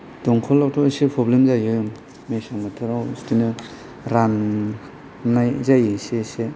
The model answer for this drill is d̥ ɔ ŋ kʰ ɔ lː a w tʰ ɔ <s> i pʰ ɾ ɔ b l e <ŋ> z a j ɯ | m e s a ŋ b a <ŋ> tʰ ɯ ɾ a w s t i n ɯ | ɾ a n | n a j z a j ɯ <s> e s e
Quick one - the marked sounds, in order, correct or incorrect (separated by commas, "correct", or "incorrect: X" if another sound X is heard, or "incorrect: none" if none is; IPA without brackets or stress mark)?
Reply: correct, incorrect: m, incorrect: none, correct